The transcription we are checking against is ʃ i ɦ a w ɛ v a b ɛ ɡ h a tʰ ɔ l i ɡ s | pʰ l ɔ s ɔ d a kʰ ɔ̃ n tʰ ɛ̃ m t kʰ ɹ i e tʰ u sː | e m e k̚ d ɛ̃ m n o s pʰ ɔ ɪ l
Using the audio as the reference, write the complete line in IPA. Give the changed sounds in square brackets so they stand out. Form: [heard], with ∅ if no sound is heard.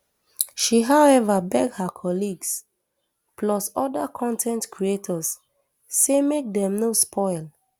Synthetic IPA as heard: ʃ i ɦ a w ɛ v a b ɛ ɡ h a [kʰ] ɔ l i ɡ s | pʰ l ɔ s ɔ d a kʰ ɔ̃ n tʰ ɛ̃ [n] t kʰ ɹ i e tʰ [ɔ] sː | e m e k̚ d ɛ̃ m n o s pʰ ɔ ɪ l